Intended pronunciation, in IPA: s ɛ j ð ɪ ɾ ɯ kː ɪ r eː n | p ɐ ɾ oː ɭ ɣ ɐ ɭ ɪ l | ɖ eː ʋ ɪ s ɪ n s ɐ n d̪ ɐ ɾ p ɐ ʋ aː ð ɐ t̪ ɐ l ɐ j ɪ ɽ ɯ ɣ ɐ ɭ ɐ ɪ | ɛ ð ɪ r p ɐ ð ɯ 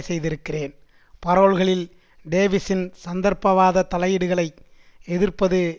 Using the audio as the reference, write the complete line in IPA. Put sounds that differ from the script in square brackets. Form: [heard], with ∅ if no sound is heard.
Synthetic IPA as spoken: s ɛ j ð ɪ ɾ ɯ kː ɪ r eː n | p ɐ ɾ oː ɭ ɣ ɐ ɭ ɪ l | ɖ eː ʋ ɪ s ɪ n s ɐ n d̪ ɐ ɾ p ɐ ʋ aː ð ɐ t̪ ɐ l ɐ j ɪ ɽ ɯ ɣ ɐ ɭ ɐ ɪ | ɛ ð ɪ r p ɐ ð ɯ

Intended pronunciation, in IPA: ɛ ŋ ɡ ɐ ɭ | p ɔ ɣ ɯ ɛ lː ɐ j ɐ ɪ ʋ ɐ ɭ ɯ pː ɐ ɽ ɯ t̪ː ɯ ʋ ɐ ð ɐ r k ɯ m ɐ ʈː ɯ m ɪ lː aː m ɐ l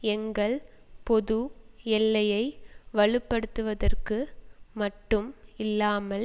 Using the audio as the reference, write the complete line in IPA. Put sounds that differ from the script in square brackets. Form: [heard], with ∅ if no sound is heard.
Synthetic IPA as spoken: ɛ ŋ ɡ ɐ ɭ | p ɔ [ð] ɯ ɛ lː ɐ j ɐ ɪ ʋ ɐ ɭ ɯ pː ɐ ɽ ɯ t̪ː ɯ ʋ ɐ ð ɐ r k ɯ m ɐ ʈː ɯ m ɪ lː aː m ɐ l

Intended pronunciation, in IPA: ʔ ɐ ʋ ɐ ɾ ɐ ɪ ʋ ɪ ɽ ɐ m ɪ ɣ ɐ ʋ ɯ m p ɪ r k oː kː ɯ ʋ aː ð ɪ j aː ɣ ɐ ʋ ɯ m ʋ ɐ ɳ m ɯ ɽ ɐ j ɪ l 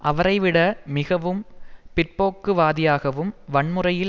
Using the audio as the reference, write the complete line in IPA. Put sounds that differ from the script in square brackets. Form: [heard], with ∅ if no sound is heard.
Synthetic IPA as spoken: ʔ ɐ ʋ ɐ ɾ ɐ ɪ ʋ ɪ ɽ ɐ m ɪ ɣ ɐ ʋ ɯ m p ɪ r [p] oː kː ɯ ʋ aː ð ɪ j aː ɣ ɐ ʋ ɯ m ʋ ɐ ɳ m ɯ [r] ɐ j ɪ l

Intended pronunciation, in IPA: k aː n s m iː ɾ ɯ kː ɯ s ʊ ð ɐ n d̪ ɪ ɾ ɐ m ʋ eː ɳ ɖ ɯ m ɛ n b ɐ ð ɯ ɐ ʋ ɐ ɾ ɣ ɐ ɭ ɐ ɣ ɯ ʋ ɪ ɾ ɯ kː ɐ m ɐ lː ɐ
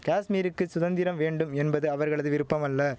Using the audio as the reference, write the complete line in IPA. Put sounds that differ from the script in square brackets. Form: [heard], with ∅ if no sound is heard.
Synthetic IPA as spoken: k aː [∅] s m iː ɾ ɯ kː ɯ s ʊ ð ɐ n d̪ ɪ ɾ ɐ m ʋ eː ɳ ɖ ɯ m ɛ n b ɐ ð ɯ ɐ ʋ ɐ ɾ ɣ ɐ ɭ ɐ [ð] ɯ ʋ ɪ ɾ ɯ [pː] ɐ m ɐ lː ɐ

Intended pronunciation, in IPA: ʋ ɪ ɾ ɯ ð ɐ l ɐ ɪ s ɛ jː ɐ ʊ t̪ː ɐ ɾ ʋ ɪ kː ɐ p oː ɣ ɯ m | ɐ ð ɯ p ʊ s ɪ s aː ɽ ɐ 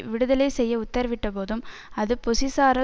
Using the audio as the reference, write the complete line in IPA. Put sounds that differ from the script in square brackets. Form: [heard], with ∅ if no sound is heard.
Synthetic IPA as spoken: ʋ ɪ [ɽ] ɯ ð ɐ l ɐ ɪ s ɛ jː ɐ ʊ t̪ː ɐ ɾ ʋ ɪ [ʈː] ɐ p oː [ð] ɯ m | ɐ ð ɯ p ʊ s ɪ s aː [ɾ] ɐ

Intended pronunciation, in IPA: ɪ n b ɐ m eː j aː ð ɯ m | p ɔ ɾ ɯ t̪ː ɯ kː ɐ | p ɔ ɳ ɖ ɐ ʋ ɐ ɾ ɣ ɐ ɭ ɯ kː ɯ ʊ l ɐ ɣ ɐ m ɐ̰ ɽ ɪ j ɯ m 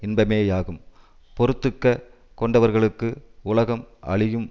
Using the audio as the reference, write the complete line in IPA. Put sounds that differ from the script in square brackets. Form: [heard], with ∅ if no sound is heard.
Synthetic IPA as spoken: ɪ n b ɐ m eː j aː [ɣ] ɯ m | p ɔ ɾ ɯ t̪ː ɯ kː ɐ | [k] ɔ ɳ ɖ ɐ ʋ ɐ ɾ ɣ ɐ ɭ ɯ kː ɯ ʊ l ɐ ɣ ɐ m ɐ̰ [ɭ] ɪ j ɯ m

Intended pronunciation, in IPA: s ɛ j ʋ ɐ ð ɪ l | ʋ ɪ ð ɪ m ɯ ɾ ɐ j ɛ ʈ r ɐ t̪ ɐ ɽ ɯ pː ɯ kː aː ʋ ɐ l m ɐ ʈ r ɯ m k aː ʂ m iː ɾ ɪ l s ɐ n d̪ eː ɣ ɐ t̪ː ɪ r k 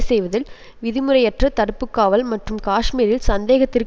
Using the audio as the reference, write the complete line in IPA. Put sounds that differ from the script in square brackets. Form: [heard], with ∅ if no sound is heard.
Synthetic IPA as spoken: s ɛ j ʋ ɐ ð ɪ l | ʋ ɪ ð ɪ m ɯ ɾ ɐ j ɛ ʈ r ɐ t̪ ɐ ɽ ɯ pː ɯ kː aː ʋ ɐ l m ɐ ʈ r ɯ m k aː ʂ m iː ɾ ɪ l s ɐ n d̪ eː ɣ ɐ t̪ː ɪ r k

